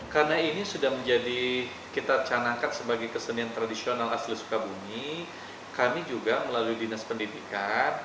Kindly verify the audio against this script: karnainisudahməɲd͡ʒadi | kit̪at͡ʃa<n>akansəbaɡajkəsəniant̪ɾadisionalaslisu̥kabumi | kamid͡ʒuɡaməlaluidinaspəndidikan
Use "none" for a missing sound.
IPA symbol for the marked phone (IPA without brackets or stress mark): n